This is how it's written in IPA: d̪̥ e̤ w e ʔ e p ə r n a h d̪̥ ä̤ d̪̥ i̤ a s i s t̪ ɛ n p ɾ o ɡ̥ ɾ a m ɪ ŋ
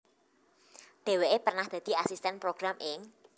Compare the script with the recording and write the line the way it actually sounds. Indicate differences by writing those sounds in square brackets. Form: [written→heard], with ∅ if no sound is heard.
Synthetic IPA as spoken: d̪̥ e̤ w e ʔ e p ə r n a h d̪̥ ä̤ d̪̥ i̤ a s i s t̪ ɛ n p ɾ o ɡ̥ ɾ a m ɪ ŋ